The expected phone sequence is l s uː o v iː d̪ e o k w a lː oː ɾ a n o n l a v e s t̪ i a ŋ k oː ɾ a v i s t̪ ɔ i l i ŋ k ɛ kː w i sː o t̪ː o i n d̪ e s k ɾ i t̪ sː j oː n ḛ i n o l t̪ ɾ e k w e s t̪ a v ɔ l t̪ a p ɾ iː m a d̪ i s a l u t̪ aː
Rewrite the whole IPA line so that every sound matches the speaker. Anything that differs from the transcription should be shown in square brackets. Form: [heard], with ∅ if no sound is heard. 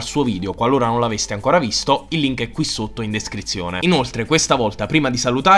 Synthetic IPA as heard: l s uː o v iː d̪ e o k w a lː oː ɾ a n o n l a v e s t̪ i a ŋ k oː ɾ a v i s t̪ [o] i [lː] i ŋ k ɛ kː w i sː o t̪ː o i n d̪ e s k ɾ i t̪ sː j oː n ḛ i n o l t̪ ɾ e k w e s t̪ a v ɔ l t̪ a p ɾ iː m a d̪ i s a l u t̪ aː